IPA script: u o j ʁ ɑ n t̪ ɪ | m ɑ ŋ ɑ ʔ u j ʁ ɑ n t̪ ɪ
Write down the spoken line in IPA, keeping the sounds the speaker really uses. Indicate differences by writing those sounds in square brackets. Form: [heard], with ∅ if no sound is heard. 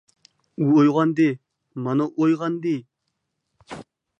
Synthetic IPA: u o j ʁ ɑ n [d̪] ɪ | m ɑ [n] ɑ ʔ [o] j ʁ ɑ n [d̪] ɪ